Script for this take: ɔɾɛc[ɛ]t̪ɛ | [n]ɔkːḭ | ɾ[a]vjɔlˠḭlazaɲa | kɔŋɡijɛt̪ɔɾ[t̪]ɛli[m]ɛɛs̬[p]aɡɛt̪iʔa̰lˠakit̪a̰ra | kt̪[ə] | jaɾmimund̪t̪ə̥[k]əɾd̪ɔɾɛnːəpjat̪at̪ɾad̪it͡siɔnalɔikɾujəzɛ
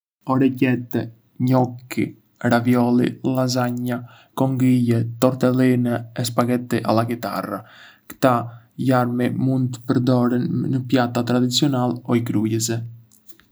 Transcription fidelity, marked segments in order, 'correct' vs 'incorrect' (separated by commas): correct, incorrect, correct, correct, incorrect, correct, incorrect, incorrect